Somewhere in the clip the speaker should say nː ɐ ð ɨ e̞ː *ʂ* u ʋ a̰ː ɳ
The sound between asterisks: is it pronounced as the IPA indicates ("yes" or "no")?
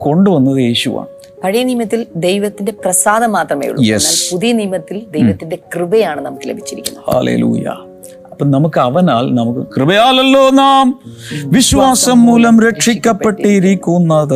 no